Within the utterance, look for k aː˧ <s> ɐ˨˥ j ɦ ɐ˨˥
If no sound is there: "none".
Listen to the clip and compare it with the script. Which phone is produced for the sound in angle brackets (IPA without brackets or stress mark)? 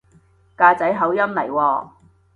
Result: t͡s